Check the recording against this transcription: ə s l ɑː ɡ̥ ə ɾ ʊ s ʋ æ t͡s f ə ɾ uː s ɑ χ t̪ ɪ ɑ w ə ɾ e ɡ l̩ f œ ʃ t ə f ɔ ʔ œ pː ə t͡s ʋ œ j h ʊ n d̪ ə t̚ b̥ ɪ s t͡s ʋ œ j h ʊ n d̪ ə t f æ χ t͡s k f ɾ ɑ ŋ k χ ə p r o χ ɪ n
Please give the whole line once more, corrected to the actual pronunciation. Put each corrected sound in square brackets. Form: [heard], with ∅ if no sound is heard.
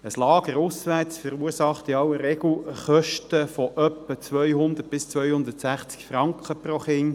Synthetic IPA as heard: ə s l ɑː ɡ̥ ə ɾ ʊ s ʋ æ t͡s f ə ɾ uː s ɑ χ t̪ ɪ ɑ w ə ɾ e ɡ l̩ [χ] œ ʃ t ə f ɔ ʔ œ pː ə t͡s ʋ œ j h ʊ n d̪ ə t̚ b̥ ɪ s t͡s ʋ œ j h ʊ n d̪ ə t [s] æ χ t͡s k f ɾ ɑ ŋ k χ ə p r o χ ɪ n